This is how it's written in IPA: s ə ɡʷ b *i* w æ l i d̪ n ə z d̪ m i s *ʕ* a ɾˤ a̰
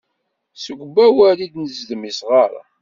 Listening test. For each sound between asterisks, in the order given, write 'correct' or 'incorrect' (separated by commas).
incorrect, incorrect